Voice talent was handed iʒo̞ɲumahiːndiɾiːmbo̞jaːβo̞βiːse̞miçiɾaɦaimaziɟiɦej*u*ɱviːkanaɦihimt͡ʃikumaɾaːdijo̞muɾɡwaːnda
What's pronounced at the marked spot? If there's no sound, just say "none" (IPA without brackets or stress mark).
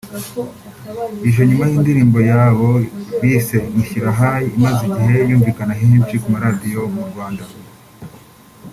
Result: uː